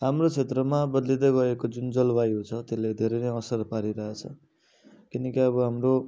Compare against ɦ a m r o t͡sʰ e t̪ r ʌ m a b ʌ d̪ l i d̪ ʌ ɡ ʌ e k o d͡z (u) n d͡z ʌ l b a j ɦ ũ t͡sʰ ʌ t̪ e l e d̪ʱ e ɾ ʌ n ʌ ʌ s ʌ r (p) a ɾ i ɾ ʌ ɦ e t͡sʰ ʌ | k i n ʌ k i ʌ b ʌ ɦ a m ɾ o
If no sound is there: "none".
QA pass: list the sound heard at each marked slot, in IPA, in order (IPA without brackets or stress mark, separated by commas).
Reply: u, p